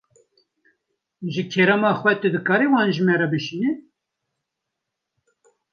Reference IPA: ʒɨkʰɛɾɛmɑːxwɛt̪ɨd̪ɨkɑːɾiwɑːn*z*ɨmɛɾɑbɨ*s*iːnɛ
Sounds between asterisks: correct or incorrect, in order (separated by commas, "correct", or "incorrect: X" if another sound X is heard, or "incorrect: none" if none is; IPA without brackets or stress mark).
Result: incorrect: ʒ, incorrect: ʃ